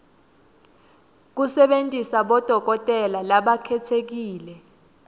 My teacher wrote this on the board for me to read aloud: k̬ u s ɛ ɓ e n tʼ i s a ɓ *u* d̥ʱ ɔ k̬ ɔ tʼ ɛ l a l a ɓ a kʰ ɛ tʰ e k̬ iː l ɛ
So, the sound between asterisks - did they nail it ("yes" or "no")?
no